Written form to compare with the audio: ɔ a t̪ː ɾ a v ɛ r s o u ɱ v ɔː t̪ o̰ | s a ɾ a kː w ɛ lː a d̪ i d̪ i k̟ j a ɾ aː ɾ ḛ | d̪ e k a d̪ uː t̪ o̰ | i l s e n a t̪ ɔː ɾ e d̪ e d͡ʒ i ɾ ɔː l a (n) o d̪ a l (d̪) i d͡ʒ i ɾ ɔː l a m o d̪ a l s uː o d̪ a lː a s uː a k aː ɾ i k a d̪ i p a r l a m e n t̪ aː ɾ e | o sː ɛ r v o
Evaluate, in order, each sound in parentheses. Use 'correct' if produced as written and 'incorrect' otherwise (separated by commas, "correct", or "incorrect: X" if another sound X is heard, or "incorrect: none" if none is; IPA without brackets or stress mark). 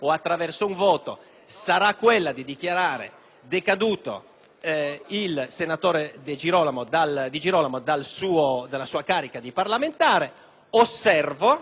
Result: incorrect: m, correct